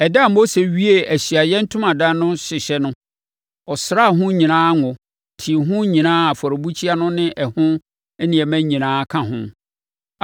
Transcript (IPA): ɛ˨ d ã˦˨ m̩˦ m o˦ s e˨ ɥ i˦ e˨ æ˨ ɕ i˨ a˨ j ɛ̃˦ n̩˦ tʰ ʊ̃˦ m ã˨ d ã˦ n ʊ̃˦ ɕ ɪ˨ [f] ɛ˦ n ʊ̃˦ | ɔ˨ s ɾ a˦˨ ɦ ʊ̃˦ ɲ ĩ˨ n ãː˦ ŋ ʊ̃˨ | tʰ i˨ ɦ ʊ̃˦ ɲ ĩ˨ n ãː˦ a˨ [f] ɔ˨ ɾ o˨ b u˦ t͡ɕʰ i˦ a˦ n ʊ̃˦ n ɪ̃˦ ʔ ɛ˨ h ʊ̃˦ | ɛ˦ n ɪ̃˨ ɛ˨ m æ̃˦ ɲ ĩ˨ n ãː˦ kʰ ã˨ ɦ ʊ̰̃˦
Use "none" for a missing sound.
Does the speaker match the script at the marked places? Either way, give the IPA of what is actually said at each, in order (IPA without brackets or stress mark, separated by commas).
ɕ, f